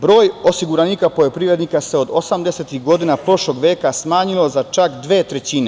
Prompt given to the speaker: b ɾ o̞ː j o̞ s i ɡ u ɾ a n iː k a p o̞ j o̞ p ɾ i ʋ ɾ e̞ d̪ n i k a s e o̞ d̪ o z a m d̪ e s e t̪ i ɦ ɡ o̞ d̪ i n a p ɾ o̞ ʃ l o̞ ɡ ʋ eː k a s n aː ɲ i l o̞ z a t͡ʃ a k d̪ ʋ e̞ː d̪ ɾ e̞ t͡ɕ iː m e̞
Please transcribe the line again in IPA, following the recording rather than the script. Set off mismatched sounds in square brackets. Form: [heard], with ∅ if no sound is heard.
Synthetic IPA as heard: b ɾ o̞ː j o̞ s i ɡ u ɾ a n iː k a p o̞ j o̞ p ɾ i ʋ ɾ e̞ d̪ n i k a s e o̞ d̪ o [s] a m d̪ e s e t̪ i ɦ ɡ o̞ d̪ i n a p ɾ o̞ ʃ l o̞ ɡ ʋ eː k a s [m] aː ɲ i l o̞ z a t͡ʃ a k d̪ ʋ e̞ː [t̪] ɾ e̞ t͡ɕ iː [n] e̞